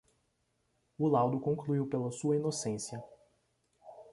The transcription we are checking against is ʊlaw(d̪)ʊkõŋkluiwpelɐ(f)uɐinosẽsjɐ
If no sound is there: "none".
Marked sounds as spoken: d̪, s

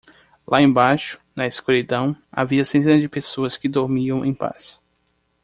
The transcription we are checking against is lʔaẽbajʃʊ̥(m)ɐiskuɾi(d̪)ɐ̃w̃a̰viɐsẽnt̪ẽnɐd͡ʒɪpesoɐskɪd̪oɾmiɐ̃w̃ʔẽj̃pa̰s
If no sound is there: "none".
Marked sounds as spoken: n, d̪

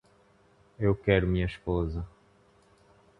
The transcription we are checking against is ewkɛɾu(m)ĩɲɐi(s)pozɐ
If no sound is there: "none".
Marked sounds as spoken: m, ʃ

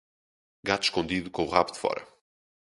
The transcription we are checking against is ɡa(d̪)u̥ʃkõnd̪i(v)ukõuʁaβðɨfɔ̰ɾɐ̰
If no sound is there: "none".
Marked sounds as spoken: t̪, ð

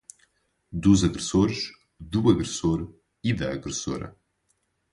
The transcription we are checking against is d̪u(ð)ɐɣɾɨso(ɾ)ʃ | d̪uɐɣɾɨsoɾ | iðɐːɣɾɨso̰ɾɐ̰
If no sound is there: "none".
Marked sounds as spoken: z, ɾ

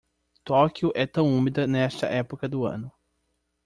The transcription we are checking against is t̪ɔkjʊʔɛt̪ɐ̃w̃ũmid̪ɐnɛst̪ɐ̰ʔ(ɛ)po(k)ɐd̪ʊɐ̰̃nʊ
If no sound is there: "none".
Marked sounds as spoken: ɛ, k

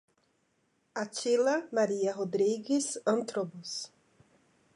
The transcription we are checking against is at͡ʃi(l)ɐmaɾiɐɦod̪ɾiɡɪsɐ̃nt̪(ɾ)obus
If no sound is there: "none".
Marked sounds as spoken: l, ɾ

